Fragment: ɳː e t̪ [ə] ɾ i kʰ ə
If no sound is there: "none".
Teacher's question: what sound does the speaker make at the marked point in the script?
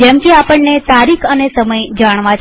a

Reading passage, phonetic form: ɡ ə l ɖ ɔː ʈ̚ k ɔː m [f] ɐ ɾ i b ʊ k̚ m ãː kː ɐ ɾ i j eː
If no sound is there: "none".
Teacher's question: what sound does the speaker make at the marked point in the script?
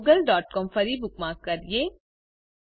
f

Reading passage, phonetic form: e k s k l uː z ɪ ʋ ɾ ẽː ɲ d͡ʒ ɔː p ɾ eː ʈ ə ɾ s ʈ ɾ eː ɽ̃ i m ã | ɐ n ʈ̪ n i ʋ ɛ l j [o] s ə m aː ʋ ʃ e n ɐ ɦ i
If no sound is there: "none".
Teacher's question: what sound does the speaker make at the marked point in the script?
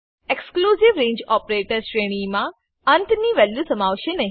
u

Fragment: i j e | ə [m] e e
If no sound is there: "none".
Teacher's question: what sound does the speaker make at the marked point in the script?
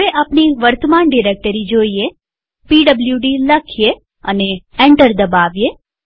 n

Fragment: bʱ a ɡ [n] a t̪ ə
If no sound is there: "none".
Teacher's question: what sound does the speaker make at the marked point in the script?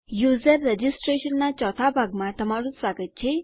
m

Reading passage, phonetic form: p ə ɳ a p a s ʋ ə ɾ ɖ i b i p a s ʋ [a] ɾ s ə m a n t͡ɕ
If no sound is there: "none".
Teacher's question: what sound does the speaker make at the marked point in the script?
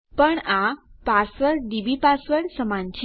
ə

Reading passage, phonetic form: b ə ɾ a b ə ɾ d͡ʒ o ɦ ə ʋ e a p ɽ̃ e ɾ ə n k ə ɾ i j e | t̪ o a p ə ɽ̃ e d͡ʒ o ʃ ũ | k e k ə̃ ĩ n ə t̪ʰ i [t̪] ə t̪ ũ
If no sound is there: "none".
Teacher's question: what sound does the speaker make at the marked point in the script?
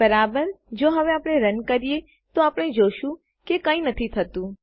t̪ʰ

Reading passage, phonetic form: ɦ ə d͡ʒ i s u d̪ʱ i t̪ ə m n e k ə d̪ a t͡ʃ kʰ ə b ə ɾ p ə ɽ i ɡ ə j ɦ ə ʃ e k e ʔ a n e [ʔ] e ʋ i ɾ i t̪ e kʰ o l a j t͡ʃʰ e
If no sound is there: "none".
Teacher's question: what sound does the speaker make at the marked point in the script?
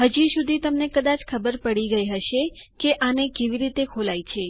k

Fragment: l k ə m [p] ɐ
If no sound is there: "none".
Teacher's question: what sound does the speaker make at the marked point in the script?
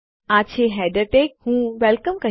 k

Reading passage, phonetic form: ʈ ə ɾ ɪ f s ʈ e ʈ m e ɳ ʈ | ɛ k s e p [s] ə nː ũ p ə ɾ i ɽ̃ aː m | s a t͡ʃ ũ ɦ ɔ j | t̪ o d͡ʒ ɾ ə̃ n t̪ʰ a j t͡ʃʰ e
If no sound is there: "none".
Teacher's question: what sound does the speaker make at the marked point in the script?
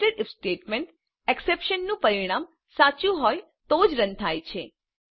ʃ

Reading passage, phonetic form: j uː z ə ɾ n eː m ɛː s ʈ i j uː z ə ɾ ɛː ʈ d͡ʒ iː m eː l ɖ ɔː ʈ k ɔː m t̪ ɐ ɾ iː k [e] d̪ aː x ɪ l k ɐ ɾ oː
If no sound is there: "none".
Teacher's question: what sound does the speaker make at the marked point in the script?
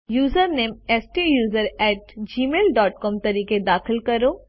e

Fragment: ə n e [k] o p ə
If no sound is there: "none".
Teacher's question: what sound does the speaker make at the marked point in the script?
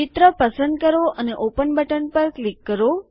ʔ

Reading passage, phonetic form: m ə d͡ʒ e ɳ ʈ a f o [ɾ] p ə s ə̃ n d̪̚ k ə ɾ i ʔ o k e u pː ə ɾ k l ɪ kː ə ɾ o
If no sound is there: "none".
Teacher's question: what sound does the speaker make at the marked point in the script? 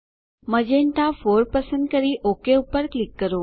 ɾ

